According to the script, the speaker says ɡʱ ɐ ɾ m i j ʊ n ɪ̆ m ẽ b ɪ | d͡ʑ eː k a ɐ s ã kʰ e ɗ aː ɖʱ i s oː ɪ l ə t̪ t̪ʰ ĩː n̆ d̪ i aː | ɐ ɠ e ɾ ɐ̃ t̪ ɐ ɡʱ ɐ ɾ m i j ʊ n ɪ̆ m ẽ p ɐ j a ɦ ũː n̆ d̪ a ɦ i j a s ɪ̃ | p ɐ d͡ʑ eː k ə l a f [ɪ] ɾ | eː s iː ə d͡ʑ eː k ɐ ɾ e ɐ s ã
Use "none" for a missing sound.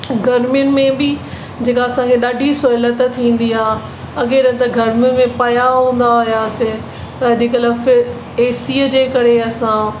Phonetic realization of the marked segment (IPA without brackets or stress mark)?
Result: ɪ